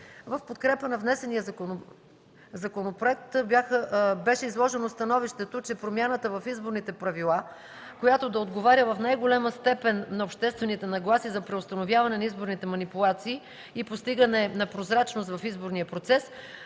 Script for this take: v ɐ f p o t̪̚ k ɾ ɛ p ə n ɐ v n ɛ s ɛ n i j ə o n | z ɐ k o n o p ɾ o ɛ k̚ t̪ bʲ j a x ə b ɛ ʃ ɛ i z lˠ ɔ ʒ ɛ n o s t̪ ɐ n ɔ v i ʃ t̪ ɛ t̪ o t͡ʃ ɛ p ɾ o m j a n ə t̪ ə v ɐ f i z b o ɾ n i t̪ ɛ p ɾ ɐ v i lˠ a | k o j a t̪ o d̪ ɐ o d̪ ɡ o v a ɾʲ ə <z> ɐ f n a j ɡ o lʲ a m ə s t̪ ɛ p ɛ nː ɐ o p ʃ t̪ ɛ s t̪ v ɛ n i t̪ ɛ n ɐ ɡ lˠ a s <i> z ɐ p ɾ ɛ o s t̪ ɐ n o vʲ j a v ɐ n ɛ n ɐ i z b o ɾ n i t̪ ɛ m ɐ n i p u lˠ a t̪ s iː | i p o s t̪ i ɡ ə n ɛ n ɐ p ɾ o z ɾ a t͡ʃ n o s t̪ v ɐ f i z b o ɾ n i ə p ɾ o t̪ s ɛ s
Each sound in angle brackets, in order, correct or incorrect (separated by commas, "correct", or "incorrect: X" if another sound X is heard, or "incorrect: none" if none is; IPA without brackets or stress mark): incorrect: v, correct